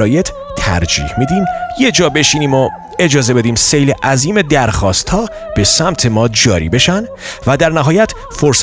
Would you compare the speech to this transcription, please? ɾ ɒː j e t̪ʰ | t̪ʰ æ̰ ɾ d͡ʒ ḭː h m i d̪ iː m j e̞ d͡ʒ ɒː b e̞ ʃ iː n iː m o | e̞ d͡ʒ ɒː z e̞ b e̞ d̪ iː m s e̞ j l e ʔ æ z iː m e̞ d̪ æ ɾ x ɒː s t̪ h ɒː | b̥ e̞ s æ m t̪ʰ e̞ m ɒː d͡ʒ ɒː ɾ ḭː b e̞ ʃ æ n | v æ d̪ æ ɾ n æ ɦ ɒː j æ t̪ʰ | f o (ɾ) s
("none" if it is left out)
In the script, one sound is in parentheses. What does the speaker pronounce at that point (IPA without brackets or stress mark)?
ɾ